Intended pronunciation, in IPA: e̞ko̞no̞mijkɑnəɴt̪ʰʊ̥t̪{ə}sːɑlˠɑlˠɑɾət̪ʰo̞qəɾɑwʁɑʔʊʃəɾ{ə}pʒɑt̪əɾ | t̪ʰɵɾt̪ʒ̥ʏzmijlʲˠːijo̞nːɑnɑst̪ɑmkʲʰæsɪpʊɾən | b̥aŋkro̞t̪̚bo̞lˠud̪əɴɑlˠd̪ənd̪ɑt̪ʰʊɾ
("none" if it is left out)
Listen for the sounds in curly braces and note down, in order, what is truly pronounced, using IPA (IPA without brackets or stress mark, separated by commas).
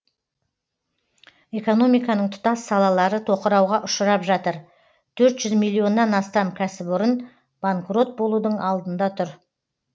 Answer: ɑ, ɑ